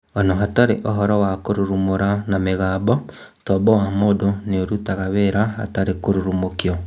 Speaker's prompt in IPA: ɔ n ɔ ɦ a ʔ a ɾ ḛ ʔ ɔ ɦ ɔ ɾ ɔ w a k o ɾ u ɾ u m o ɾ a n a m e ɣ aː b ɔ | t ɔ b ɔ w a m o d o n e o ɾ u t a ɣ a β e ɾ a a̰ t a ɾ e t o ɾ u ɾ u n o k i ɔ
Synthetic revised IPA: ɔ n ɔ ɦ a t a ɾ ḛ ʔ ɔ ɦ ɔ ɾ ɔ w a k o ɾ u ɾ u m o ɾ a n a m e ɣ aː b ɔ | t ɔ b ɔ w a m o d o n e o ɾ u t a ɣ a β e ɾ a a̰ t a ɾ e k o ɾ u ɾ u m o k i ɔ